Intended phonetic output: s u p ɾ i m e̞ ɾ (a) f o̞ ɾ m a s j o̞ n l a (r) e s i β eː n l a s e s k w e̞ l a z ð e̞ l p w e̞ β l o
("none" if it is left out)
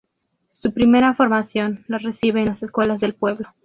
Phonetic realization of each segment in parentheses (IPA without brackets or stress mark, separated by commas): a, r